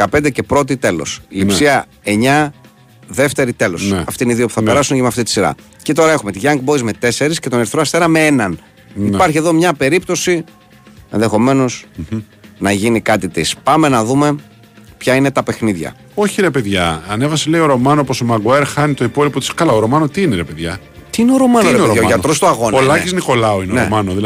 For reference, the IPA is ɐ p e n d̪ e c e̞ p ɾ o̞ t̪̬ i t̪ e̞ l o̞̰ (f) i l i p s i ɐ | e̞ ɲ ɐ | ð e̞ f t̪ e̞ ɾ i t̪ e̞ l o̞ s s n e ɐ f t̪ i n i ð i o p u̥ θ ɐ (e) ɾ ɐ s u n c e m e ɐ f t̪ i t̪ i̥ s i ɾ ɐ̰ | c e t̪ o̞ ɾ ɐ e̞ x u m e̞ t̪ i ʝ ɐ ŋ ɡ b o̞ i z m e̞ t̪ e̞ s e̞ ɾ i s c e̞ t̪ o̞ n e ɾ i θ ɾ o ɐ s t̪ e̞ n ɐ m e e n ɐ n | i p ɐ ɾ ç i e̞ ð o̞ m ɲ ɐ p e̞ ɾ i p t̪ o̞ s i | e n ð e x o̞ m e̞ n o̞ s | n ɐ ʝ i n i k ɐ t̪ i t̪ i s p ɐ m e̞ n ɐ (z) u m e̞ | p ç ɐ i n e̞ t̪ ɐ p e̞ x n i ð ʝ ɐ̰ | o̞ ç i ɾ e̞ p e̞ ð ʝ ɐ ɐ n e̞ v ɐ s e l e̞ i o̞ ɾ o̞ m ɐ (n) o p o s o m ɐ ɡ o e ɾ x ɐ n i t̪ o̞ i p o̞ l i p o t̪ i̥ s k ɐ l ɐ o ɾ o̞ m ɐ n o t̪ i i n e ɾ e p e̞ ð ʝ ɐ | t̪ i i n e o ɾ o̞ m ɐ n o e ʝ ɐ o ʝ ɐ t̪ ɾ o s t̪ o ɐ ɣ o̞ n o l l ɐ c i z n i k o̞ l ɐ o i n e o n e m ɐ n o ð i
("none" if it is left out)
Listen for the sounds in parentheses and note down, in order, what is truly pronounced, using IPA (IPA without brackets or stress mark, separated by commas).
s, e, ð, n